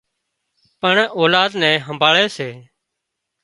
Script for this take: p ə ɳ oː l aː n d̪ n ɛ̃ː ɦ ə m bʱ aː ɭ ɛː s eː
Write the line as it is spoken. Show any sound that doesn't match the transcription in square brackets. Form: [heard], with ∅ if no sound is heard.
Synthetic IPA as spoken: p ə ɳ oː l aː [∅] d̪ n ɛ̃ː ɦ ə m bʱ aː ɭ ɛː s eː